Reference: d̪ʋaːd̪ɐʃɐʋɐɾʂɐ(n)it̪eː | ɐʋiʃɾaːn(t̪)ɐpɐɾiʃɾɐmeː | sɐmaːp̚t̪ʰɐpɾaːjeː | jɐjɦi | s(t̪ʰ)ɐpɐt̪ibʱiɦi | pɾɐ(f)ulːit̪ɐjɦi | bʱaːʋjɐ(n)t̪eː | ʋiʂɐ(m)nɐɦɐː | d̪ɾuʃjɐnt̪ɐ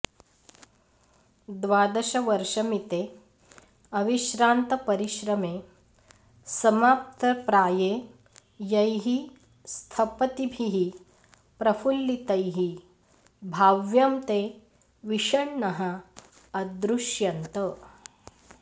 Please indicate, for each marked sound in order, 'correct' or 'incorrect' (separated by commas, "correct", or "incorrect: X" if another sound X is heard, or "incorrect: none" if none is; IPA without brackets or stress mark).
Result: incorrect: m, correct, correct, correct, incorrect: m, incorrect: ɳ